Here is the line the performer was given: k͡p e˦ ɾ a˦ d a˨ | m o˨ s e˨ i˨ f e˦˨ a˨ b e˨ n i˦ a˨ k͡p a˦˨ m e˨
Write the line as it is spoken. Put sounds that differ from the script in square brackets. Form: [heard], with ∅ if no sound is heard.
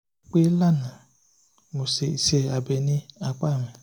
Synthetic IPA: k͡p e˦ [l] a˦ [n] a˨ | m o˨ s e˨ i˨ [s] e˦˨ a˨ b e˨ n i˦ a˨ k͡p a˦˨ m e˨